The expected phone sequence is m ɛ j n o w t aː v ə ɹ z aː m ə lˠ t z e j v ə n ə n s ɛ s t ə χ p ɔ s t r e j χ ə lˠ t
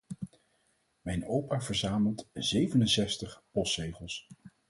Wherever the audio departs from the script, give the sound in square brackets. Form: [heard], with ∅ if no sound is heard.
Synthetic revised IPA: m ɛ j n o w [p] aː v ə ɹ z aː m ə lˠ t z e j v ə n ə n s ɛ s t ə χ p ɔ s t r e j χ ə lˠ [s]